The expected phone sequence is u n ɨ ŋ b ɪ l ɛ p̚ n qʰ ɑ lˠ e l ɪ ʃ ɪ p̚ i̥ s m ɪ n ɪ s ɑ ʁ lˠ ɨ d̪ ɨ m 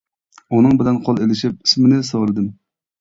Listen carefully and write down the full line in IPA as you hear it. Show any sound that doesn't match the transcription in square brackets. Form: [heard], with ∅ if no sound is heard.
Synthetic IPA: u n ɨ ŋ b ɪ l ɛ [∅] n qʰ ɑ lˠ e l ɪ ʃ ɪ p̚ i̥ s m ɪ n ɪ s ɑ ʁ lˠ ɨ d̪ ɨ m